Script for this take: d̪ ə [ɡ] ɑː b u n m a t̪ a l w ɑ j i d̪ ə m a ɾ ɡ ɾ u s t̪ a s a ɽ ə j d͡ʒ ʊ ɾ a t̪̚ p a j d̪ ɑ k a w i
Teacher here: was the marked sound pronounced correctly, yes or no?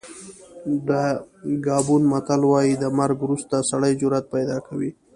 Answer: yes